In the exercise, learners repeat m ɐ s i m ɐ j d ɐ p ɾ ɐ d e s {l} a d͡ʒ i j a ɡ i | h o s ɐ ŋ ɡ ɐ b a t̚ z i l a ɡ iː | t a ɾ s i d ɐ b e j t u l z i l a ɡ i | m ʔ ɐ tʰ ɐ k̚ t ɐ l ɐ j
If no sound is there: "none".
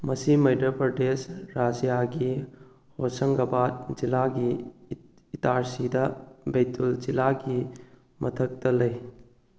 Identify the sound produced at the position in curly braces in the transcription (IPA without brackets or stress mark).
ɾ